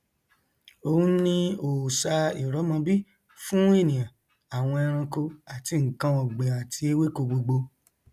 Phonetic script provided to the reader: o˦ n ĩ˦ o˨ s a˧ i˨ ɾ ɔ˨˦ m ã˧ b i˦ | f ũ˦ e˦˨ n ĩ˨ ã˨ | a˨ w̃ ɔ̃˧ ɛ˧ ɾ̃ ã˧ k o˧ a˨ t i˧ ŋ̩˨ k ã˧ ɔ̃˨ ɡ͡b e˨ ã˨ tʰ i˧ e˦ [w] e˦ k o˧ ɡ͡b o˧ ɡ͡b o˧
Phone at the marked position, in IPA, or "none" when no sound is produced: w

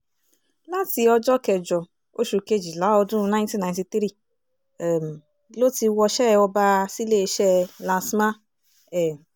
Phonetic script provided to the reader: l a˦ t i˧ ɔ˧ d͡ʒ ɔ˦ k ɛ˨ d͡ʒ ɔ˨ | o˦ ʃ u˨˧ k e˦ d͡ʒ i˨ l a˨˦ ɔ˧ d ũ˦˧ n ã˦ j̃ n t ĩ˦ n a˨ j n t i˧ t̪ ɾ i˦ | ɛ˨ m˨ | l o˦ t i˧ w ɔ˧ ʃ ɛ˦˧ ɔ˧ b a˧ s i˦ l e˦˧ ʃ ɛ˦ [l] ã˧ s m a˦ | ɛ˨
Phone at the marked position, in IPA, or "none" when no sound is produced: l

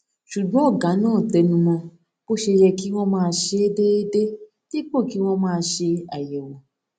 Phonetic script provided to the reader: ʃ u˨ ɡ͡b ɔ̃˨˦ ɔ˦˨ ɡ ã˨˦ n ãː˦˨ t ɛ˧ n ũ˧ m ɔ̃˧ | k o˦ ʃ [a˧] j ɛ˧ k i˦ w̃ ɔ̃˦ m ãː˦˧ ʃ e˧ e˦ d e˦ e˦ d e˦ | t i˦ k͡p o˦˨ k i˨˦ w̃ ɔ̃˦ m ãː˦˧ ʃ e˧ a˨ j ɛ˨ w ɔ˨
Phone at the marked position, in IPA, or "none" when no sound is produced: e˧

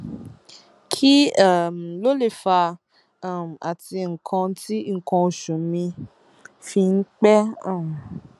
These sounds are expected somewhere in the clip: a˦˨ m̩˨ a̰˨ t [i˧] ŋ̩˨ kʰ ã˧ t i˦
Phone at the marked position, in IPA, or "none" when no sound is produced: i˧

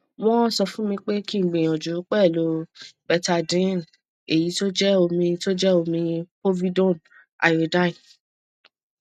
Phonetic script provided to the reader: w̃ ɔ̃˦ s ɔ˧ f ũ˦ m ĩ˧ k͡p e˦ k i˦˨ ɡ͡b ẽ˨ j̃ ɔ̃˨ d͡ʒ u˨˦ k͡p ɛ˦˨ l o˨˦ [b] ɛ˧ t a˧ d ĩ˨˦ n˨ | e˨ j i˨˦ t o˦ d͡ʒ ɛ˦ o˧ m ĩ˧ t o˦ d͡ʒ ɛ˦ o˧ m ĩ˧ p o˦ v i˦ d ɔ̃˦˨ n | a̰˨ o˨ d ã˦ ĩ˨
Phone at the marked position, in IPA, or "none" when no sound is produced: b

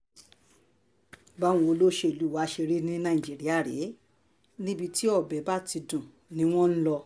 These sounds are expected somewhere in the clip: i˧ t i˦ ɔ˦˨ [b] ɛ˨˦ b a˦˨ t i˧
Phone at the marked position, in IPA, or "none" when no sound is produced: b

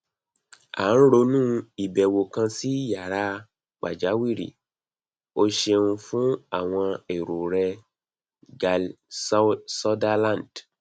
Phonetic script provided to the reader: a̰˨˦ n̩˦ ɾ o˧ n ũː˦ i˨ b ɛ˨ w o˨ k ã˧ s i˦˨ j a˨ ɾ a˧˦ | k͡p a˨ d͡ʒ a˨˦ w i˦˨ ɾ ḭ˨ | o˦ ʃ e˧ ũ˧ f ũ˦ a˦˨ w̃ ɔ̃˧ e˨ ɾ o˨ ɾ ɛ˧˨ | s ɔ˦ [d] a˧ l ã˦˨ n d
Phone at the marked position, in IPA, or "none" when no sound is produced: d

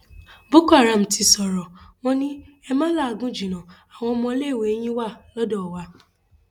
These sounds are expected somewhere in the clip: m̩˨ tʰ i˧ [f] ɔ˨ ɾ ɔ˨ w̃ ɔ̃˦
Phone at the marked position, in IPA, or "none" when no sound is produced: s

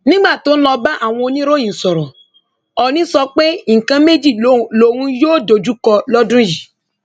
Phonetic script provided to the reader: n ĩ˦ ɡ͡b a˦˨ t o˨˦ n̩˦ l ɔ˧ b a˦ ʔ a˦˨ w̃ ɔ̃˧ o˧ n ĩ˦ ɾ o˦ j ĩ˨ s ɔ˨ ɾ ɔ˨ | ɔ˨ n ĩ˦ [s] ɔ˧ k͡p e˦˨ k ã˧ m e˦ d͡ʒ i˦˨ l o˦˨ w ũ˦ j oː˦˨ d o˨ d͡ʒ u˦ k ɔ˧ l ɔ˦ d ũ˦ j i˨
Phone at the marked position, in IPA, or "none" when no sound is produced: s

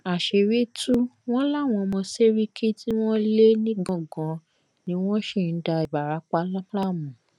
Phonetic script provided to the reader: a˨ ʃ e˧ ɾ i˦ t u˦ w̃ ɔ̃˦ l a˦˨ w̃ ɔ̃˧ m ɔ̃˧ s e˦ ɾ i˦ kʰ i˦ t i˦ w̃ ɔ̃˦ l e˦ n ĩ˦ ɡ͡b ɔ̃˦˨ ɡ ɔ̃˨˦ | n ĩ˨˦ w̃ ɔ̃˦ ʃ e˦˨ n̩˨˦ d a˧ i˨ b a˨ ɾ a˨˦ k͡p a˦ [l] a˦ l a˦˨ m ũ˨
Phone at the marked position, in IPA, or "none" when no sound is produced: l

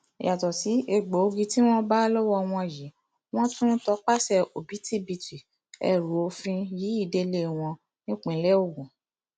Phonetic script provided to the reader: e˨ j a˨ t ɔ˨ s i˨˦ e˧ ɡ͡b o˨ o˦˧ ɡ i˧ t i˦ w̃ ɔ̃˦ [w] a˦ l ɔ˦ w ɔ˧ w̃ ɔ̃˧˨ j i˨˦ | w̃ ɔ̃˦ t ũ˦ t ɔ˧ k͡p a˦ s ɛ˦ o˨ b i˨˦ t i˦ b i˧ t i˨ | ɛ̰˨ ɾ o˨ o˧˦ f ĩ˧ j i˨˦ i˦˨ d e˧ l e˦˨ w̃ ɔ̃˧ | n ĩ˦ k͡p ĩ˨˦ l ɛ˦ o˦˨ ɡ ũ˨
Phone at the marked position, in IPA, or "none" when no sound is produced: b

